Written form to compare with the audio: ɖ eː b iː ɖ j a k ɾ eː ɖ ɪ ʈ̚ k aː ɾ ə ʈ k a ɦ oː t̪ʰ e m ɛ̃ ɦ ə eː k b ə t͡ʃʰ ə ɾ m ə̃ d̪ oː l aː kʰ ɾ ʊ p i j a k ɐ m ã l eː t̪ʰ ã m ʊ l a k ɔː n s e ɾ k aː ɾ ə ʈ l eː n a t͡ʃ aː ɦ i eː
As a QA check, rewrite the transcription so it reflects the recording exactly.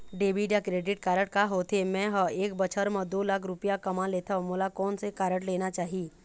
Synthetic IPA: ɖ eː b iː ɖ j a k ɾ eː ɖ ɪ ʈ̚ k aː ɾ ə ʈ k a ɦ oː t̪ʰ e m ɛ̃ ɦ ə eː k b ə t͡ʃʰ ə ɾ m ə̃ d̪ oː l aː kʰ ɾ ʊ p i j a k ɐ m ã l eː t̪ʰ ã m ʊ l a k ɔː n s e k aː ɾ ə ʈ l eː n a t͡ʃ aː ɦ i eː